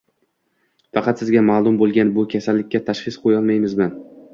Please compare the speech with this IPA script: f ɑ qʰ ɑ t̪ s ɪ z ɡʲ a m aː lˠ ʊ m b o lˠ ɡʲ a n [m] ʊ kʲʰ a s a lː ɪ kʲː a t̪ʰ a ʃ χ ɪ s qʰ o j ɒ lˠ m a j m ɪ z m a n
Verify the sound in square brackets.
incorrect: b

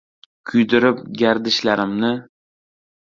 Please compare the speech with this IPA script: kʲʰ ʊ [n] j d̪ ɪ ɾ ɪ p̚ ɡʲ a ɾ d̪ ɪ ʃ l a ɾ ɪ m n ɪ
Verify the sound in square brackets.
incorrect: none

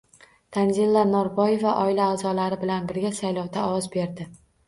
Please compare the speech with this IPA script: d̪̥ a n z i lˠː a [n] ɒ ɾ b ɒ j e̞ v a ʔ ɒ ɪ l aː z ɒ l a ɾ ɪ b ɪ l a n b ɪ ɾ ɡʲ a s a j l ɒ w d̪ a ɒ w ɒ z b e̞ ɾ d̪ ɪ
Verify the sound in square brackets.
correct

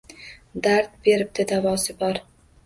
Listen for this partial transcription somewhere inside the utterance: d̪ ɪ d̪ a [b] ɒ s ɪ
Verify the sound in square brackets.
incorrect: v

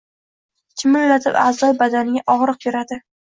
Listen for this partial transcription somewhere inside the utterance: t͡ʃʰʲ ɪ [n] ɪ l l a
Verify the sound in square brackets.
incorrect: m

